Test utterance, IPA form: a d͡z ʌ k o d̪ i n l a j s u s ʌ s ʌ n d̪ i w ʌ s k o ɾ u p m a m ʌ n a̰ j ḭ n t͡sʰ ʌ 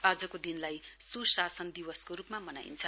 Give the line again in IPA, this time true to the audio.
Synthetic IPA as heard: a d͡z ʌ k o d̪ i n l a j s u s a s ʌ n d̪ i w ʌ s k o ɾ u p m a m ʌ n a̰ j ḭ n t͡sʰ ʌ